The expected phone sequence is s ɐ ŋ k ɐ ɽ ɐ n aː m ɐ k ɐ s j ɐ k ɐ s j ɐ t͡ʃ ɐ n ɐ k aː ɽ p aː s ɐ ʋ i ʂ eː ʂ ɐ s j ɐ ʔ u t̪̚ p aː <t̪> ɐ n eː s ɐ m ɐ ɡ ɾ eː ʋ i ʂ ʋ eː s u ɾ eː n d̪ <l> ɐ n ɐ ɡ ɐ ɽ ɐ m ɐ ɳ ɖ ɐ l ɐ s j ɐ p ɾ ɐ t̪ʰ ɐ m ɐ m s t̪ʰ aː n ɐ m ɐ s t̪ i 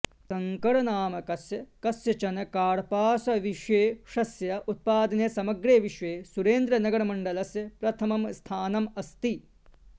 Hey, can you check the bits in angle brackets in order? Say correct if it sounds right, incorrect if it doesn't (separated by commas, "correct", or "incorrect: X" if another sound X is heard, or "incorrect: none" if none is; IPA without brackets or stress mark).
incorrect: d̪, incorrect: ɾ